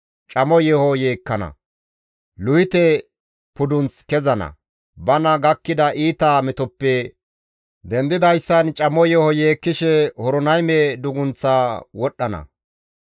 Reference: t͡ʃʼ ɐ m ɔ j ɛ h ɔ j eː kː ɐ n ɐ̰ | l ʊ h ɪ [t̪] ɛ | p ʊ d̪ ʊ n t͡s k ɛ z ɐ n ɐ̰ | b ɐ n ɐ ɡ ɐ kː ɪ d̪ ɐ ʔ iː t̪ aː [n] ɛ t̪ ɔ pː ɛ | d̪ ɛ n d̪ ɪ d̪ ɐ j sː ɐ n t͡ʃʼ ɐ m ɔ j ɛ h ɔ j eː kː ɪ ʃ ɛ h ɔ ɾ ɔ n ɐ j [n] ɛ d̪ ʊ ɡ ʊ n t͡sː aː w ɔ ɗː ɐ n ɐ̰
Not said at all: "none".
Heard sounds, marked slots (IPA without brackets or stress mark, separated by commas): t̪, m, m